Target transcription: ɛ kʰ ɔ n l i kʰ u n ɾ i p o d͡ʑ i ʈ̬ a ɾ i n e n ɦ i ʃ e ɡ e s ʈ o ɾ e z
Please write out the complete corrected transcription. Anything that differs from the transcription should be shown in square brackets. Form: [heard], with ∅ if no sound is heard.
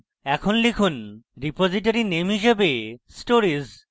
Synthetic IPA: ɛ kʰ [o] n l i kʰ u n ɾ i p o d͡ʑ i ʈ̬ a ɾ i n e [m] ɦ i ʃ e [b] e s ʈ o ɾ [i] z